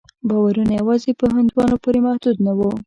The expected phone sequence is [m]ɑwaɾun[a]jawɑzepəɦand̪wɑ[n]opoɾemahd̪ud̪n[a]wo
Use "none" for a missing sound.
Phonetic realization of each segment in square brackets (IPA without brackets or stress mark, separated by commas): b, a, n, a